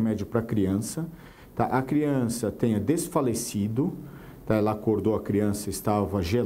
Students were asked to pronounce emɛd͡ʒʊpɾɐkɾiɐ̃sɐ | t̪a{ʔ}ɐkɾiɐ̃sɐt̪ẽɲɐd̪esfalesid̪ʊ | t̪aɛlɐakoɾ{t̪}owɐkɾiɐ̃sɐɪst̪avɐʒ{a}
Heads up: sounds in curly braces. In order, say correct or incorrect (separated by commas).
correct, incorrect, incorrect